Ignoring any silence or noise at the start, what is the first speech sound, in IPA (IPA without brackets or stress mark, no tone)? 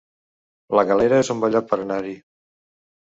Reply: l